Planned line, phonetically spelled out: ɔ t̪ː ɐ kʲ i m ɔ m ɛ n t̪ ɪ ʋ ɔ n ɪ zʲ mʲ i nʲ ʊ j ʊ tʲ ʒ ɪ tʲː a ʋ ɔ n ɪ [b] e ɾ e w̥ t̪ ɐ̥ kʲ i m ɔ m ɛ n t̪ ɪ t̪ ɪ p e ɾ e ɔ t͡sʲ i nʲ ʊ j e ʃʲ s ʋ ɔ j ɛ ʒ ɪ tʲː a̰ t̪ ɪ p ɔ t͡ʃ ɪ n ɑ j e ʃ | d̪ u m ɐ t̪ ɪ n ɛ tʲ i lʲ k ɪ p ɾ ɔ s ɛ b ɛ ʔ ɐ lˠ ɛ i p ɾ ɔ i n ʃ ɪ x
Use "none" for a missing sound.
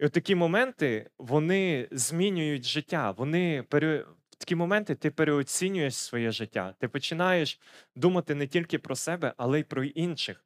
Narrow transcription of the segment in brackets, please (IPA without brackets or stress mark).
p